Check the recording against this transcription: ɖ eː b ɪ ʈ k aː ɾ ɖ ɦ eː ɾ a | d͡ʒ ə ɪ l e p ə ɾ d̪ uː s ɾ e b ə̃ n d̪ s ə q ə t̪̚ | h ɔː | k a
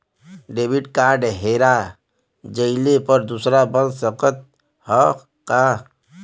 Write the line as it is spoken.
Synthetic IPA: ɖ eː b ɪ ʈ k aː ɾ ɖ ɦ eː ɾ a | d͡ʒ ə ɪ l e p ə ɾ d̪ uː s ɾ a b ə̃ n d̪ s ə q ə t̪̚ | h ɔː | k a